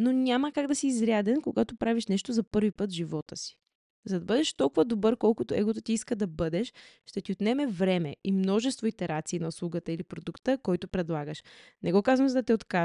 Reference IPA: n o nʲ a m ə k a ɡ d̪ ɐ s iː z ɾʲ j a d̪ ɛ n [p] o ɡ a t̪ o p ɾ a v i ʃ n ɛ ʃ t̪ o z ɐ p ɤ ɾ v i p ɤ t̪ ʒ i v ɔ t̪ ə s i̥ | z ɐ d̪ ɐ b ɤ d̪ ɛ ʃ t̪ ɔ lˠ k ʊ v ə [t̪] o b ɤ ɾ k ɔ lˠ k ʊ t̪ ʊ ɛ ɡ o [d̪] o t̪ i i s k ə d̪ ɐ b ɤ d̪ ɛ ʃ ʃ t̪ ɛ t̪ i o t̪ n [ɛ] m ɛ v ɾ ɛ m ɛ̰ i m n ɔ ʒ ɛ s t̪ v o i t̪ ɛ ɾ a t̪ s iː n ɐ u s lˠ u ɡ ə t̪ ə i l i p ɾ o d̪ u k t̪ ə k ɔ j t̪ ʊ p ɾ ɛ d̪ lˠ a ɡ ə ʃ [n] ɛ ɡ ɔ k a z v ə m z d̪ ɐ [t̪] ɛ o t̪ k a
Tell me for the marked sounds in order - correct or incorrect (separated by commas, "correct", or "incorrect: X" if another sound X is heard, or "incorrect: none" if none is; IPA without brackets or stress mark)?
incorrect: k, incorrect: d̪, incorrect: t̪, correct, correct, correct